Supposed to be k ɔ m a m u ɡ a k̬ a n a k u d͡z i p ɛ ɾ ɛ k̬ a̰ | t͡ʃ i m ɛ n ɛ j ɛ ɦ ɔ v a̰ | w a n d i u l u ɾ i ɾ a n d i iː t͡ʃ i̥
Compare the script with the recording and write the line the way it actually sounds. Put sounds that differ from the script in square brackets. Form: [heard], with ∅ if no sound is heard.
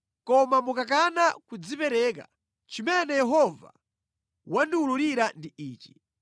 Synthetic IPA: k ɔ m a m u [k] a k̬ a n a k u d͡z i p ɛ ɾ ɛ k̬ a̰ | t͡ʃ i m ɛ n ɛ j ɛ ɦ ɔ v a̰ | w a n d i u l u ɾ i ɾ a n d i iː t͡ʃ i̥